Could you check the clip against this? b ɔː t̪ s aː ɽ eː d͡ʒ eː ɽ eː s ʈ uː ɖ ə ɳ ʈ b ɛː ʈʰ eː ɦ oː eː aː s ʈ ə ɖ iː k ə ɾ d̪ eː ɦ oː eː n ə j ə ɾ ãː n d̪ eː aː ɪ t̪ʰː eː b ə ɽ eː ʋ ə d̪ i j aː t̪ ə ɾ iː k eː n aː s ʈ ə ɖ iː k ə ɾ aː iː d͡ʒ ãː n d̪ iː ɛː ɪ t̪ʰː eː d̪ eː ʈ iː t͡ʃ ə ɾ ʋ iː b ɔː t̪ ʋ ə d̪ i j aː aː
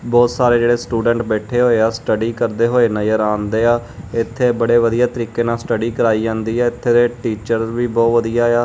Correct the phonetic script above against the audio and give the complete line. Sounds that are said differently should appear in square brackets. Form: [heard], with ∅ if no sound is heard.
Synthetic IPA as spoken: b ɔː t̪ s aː [ɾ] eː d͡ʒ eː ɽ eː s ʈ uː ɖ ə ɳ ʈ b ɛː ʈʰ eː ɦ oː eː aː s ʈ ə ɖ iː k ə ɾ d̪ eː ɦ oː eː n ə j ə ɾ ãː n d̪ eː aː ɪ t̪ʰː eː b ə ɽ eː ʋ ə d̪ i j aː t̪ ə ɾ iː k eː n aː s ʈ ə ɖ iː k ə ɾ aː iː d͡ʒ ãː n d̪ iː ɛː ɪ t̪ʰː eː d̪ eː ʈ iː t͡ʃ ə ɾ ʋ iː b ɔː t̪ ʋ ə d̪ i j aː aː